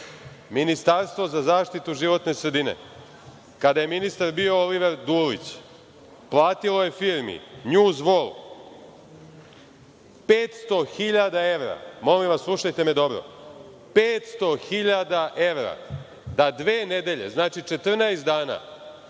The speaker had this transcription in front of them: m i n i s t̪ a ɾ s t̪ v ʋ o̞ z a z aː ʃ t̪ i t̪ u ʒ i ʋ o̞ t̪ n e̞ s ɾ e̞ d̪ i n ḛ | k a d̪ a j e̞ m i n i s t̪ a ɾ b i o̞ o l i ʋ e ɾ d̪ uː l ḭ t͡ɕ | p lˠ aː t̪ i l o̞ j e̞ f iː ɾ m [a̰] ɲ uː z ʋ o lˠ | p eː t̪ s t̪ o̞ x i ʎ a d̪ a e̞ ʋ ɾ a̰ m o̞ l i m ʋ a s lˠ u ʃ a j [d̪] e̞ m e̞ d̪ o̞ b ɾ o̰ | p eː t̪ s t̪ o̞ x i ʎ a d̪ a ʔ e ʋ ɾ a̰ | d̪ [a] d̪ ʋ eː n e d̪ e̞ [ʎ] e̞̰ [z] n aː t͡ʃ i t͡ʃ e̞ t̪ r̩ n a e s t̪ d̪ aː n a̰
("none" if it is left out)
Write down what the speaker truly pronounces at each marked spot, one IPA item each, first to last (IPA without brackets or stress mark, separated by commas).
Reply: ḭ, t̪, a, ʎ, z